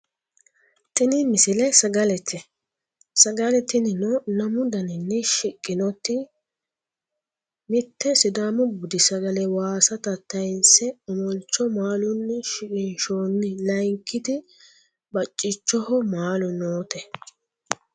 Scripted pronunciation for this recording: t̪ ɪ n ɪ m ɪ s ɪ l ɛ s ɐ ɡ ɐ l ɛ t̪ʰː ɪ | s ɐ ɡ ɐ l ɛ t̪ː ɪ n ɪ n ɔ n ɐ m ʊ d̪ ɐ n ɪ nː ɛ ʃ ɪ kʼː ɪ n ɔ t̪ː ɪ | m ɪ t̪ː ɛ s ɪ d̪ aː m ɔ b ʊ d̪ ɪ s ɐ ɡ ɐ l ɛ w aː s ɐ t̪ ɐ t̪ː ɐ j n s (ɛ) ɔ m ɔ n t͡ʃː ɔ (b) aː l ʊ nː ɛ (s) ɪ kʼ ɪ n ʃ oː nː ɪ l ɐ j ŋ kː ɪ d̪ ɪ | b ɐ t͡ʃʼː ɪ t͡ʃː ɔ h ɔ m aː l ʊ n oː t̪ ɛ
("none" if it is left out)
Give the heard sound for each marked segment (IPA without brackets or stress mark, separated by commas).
ɛ, m, ʃ